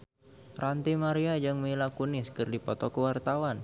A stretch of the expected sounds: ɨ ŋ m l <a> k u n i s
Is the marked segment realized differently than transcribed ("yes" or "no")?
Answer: no